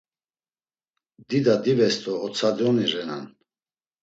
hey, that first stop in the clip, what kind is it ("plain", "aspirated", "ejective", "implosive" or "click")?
plain